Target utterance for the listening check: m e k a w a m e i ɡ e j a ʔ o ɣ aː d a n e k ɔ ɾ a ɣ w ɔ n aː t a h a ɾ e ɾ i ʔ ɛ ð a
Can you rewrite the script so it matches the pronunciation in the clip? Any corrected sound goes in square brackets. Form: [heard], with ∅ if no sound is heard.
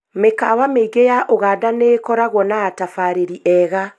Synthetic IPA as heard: m e k a w a m e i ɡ e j a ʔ o ɣ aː d a n e k ɔ ɾ a ɣ w ɔ n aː t a [f] a ɾ e ɾ i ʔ ɛ [ɣ] a

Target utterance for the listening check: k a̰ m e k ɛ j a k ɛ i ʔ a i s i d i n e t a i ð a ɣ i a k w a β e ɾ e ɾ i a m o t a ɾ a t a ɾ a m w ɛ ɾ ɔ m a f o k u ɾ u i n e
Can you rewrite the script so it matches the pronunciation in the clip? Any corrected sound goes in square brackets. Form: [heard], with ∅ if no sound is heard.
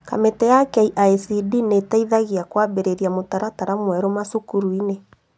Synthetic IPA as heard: k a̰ m e [t] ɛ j a k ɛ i ʔ a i s i d i n e t a i ð a ɣ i a k w a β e ɾ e ɾ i a m o t a ɾ a t a ɾ a m w ɛ ɾ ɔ m a [s] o k u ɾ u i n e

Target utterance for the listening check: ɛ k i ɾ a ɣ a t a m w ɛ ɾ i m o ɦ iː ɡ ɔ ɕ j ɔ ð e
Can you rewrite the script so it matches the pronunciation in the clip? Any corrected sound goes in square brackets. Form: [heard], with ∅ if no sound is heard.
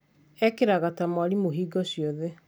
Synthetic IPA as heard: ɛ k [e] ɾ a ɣ a t a m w [a] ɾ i m o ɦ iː ɡ ɔ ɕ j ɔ ð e

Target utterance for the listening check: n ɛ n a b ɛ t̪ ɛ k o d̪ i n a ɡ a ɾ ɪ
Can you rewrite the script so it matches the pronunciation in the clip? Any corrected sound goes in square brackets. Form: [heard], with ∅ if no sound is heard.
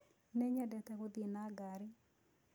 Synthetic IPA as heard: n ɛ [ɲ] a [d] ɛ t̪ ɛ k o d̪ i n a ɡ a ɾ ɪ

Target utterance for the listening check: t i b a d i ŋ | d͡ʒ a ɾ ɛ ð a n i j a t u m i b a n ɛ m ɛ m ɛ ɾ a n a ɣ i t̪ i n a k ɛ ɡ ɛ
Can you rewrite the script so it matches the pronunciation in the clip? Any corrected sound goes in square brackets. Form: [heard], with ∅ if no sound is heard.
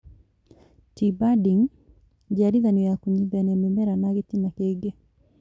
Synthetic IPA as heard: t i b a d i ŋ | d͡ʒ a ɾ [i] ð a n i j a [k] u [ɲ] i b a n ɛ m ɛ m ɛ ɾ a n a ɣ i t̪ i n a k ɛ ɡ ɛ

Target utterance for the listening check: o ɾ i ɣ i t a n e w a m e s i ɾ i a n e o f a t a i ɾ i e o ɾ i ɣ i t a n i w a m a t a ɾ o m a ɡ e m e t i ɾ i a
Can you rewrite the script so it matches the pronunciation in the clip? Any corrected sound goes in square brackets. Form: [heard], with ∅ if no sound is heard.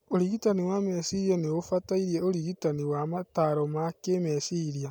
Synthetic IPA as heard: o ɾ i ɣ i t a n [i] w a m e s i ɾ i a n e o f a t a i ɾ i e o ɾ i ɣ i t a n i w a m a t a ɾ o m a [k] e m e [s] i ɾ i a

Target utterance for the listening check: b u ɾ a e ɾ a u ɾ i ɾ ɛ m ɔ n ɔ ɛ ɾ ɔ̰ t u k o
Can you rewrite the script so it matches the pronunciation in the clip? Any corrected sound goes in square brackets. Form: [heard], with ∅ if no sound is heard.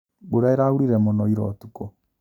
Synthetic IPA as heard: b [o] ɾ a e ɾ a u ɾ i ɾ ɛ m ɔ n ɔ [i] ɾ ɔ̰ t u k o

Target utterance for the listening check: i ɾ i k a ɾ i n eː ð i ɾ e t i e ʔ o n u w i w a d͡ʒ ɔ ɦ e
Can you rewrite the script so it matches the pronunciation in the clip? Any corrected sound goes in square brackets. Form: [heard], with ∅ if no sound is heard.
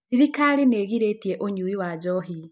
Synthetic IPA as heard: i ɾ i k a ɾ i n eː [ɣ] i ɾ e t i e ʔ o [ɲ] u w i w a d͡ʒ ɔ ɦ [i]

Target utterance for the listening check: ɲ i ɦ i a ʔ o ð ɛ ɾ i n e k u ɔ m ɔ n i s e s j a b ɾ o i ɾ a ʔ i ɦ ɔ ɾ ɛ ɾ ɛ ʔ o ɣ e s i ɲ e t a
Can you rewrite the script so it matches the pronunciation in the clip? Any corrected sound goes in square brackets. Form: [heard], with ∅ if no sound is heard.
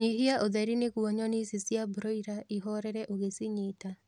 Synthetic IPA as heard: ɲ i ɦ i a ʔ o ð ɛ ɾ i n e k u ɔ [ɲ] ɔ n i s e s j a b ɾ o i ɾ a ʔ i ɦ ɔ ɾ ɛ ɾ ɛ ʔ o ɣ e s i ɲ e t a

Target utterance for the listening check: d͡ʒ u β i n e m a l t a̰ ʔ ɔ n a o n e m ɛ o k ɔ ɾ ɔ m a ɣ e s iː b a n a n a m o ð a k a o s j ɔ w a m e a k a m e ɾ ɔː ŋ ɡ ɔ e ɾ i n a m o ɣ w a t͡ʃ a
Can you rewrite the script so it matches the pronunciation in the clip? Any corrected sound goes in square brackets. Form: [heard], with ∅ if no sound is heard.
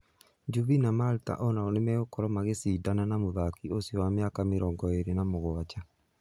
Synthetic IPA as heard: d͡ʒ u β i n [a] m a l t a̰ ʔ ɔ n a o n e m ɛ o k ɔ ɾ ɔ m a ɣ e s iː [d] a n a n a m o ð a k [i] o s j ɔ w a m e a k a m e ɾ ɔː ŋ ɡ ɔ e ɾ [e] n a m o ɣ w a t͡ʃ a

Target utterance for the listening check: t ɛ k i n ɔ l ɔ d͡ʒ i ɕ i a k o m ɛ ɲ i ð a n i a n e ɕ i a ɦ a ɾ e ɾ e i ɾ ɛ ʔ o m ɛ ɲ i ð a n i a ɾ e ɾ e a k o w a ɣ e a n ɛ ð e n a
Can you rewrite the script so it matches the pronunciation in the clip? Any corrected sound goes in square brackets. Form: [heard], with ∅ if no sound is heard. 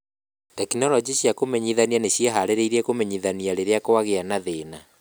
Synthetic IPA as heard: t ɛ k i n ɔ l ɔ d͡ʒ i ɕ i a k o m ɛ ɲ i ð a n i a n e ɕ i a ɦ a ɾ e ɾ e i ɾ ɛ [k] o m ɛ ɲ i ð a n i a ɾ e ɾ e a k o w a ɣ e a n [a] ð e n a

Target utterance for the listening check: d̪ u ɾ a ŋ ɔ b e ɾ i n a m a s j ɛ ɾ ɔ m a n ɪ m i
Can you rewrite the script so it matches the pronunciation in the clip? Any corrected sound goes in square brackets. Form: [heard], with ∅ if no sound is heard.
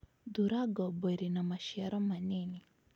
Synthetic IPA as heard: d̪ u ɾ a [ɡ] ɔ b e ɾ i n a m a [ʃ] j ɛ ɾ ɔ m a n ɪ [n] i

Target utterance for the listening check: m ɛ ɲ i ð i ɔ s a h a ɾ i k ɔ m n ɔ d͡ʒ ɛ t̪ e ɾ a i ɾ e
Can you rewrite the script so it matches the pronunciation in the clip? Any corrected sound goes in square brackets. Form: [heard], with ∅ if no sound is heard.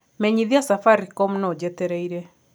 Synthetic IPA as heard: m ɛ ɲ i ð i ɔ s a [f] a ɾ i k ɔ m n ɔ d͡ʒ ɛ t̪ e ɾ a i ɾ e

